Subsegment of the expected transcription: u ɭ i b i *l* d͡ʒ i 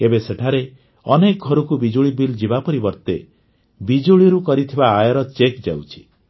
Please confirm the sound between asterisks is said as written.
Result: yes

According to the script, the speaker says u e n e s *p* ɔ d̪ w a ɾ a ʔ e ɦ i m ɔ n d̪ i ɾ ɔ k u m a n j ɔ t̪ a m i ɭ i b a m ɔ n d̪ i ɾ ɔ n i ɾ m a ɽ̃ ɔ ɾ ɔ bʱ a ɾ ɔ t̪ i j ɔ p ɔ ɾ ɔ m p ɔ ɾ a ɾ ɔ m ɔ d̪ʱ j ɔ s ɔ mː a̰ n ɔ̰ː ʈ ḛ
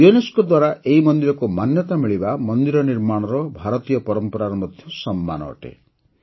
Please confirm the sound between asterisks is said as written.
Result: no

